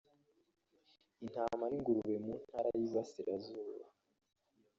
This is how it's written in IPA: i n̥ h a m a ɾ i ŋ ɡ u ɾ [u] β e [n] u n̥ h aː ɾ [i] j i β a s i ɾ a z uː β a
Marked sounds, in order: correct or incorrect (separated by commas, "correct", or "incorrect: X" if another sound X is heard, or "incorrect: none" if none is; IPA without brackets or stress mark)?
correct, incorrect: m, incorrect: a